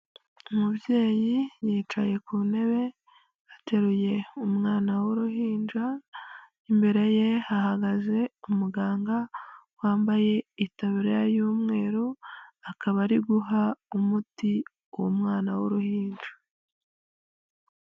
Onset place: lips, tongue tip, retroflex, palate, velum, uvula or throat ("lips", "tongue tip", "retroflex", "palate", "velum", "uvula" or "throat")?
lips